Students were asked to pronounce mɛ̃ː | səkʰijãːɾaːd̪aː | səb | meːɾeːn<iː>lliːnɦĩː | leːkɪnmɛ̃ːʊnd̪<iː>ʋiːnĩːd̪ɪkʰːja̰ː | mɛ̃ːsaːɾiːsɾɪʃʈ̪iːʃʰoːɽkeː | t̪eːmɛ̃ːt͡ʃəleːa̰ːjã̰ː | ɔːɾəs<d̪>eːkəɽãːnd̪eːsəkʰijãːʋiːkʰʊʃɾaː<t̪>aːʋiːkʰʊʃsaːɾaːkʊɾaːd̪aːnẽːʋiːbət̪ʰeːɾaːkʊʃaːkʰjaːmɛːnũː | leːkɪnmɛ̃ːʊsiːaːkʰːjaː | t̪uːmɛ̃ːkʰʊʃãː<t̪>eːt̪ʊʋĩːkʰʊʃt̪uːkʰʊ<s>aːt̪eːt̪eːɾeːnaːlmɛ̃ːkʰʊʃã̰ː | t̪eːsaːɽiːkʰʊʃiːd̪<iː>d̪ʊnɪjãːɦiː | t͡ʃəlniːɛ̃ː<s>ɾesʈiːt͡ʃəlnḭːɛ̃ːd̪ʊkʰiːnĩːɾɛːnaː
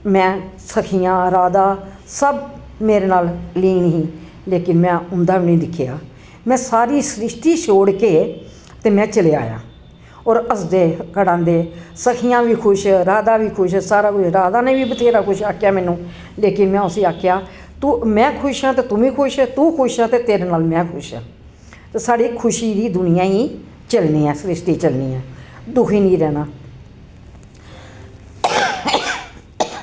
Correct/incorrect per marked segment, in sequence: incorrect: aː, incorrect: aː, correct, incorrect: d̪, correct, incorrect: ʃ, correct, correct

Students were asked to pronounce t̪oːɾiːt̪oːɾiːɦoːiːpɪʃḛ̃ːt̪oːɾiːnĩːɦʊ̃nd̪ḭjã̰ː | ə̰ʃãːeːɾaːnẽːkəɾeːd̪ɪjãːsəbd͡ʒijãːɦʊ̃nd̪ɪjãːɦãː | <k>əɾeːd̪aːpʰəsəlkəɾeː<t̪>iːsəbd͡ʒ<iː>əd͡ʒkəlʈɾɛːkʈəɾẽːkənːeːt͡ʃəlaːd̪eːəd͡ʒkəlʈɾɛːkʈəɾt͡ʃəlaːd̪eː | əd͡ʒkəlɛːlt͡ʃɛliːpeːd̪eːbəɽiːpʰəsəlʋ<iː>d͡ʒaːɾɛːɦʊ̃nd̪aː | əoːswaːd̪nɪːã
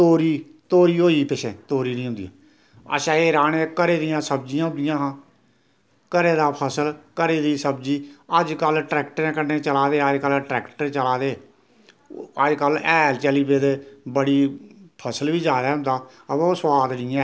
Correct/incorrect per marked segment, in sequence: correct, incorrect: d̪, correct, correct

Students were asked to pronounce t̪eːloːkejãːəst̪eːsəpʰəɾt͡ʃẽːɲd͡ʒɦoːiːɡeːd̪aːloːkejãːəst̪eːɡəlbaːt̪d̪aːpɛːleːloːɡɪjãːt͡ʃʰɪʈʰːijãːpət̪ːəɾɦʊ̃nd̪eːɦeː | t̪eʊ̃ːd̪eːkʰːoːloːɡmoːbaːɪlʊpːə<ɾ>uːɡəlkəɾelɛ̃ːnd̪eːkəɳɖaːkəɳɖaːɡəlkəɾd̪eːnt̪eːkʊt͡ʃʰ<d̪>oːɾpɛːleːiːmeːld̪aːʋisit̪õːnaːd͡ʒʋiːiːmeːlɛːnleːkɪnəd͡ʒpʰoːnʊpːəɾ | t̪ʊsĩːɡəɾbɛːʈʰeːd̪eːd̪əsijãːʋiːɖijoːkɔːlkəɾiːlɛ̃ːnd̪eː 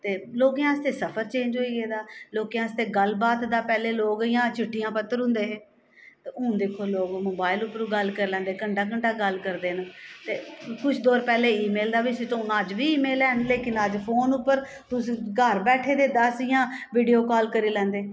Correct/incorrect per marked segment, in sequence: correct, correct

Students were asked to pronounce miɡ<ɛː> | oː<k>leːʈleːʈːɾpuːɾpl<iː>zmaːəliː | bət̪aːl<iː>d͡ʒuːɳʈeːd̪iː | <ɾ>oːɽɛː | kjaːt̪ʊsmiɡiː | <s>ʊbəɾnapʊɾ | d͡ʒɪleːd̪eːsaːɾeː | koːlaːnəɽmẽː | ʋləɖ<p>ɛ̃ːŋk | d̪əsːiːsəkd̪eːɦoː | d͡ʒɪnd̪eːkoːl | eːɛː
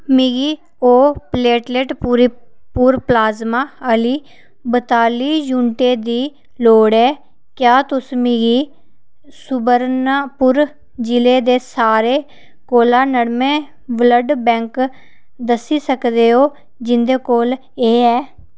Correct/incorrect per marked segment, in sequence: incorrect: iː, incorrect: p, incorrect: aː, correct, incorrect: l, correct, incorrect: b

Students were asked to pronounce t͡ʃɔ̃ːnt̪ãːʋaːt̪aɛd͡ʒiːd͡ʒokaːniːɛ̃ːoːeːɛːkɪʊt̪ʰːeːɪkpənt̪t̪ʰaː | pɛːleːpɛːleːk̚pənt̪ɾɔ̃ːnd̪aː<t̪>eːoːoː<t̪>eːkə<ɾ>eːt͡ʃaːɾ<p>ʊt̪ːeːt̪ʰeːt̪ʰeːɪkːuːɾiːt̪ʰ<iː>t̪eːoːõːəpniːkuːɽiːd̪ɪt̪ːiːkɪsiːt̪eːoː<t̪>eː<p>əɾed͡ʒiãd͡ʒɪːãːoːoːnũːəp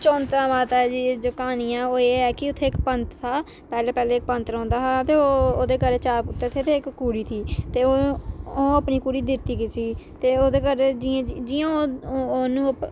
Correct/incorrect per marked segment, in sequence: correct, incorrect: d̪, correct, correct, correct, incorrect: d̪, incorrect: k

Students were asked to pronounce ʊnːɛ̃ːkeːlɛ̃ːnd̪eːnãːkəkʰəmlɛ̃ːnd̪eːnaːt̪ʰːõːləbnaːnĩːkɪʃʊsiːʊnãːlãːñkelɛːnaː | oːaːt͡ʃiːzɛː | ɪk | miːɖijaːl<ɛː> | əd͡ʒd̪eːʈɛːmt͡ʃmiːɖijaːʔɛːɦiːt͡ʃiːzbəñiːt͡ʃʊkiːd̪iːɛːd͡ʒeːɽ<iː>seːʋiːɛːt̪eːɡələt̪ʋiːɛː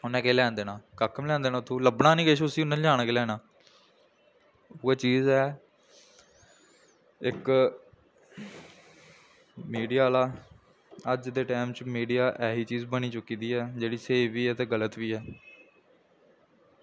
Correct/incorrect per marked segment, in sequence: incorrect: aː, correct

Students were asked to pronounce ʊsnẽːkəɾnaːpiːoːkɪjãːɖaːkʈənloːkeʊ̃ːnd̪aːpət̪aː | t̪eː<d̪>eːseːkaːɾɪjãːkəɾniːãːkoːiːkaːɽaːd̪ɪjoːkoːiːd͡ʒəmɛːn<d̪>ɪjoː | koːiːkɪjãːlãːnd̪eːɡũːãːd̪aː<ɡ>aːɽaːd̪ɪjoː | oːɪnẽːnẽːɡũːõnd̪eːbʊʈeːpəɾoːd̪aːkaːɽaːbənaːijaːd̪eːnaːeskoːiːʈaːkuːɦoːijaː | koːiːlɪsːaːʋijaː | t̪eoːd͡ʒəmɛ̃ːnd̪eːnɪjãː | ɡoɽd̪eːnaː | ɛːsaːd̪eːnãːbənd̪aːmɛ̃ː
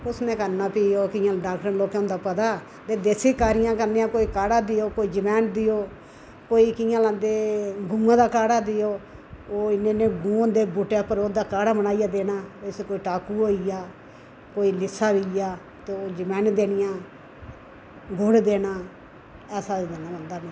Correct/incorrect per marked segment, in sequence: correct, correct, incorrect: k

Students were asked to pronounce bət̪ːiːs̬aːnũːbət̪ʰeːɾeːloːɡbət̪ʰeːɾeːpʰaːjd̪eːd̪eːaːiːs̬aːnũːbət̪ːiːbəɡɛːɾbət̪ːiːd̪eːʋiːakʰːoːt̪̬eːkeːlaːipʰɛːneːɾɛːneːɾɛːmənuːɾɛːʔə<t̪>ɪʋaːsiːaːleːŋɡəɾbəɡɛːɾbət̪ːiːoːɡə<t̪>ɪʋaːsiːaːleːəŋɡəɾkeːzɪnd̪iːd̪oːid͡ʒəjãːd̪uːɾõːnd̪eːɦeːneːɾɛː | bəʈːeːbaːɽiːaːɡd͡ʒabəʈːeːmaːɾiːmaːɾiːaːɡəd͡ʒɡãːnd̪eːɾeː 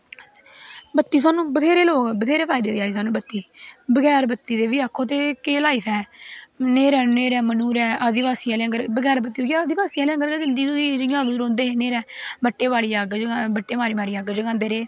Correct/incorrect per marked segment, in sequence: incorrect: d̪, incorrect: d̪

